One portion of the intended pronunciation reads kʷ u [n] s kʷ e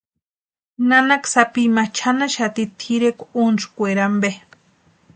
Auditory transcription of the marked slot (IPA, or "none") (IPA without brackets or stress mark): n